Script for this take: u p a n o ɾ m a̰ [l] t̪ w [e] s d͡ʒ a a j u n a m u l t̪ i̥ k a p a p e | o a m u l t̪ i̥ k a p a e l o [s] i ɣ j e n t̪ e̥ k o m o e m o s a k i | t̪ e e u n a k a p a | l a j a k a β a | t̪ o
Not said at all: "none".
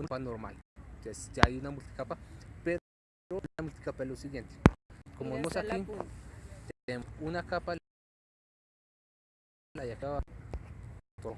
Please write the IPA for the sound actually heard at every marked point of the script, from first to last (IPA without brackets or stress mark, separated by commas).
l, e, s